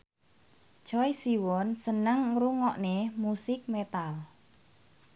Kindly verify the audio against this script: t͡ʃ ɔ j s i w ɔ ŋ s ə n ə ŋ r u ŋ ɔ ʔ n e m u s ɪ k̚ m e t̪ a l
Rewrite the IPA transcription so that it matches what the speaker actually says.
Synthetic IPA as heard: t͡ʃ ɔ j s i w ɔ n s ə n ə ŋ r u ŋ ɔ ʔ n e m u s ɪ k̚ m e t̪ a l